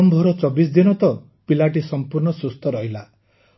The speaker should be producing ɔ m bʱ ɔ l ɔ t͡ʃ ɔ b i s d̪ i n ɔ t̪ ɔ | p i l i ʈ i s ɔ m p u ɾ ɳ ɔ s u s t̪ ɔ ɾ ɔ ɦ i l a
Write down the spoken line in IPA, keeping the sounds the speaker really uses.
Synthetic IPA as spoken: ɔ m bʱ ɔ ɾ ɔ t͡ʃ ɔ b i s d̪ i n ɔ t̪ ɔ | p i l a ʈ i s ɔ m p u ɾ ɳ ɔ s u s t̪ ɔ ɾ ɔ ɦ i l a